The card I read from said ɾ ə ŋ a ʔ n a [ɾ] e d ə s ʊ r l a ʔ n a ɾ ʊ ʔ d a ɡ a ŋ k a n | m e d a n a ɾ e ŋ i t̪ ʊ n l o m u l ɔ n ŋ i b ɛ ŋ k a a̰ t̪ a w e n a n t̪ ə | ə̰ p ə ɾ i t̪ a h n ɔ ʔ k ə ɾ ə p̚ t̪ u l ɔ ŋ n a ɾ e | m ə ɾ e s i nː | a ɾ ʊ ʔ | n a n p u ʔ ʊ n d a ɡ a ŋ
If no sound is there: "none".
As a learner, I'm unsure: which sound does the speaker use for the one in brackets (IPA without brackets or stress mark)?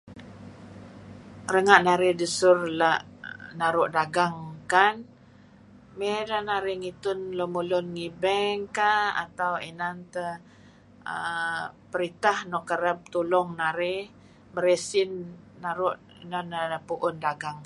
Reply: ɾ